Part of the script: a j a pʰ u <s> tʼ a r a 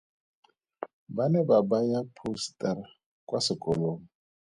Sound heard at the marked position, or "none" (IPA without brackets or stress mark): s